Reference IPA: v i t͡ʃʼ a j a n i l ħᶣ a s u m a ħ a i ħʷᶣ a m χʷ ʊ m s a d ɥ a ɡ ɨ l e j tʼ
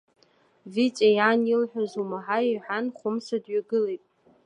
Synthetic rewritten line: v i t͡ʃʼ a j a n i l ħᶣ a z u m a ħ a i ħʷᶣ a n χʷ ʊ m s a d ɥ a ɡ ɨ l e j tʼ